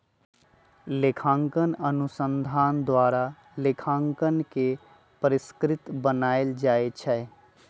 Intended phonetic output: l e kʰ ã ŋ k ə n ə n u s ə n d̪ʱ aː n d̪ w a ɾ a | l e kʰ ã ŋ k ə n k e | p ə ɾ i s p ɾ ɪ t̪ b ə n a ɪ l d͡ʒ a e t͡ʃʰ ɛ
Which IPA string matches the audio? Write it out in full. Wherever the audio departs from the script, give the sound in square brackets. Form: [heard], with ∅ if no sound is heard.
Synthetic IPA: l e kʰ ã ŋ k ə n ə n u s ə n d̪ʱ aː n d̪ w a ɾ a | l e kʰ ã ŋ k ə n k e | p ə ɾ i s [k] ɾ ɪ t̪ b ə n a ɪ l d͡ʒ a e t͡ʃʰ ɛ